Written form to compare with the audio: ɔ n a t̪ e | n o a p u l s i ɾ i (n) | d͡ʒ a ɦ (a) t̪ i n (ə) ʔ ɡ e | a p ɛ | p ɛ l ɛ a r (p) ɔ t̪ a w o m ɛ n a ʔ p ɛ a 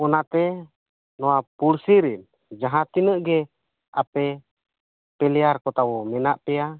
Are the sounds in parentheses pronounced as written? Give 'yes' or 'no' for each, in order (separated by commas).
yes, yes, yes, no